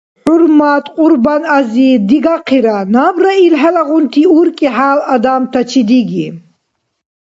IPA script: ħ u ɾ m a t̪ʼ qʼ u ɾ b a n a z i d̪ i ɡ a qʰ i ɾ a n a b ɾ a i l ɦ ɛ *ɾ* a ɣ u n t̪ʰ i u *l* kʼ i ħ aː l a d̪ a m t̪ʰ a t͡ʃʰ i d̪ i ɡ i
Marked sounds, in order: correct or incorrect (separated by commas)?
incorrect, incorrect